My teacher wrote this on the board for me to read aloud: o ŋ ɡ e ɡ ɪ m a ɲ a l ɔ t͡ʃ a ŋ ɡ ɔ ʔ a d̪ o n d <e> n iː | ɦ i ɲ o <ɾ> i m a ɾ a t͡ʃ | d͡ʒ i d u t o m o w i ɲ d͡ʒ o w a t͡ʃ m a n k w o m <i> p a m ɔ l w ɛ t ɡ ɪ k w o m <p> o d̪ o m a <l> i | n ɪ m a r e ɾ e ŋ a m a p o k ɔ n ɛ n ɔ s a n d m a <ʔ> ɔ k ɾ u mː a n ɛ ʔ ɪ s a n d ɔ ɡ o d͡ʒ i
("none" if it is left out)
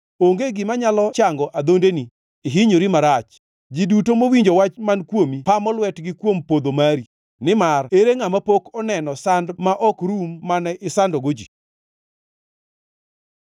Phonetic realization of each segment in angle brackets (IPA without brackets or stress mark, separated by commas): e, ɾ, i, p, ɾ, ʔ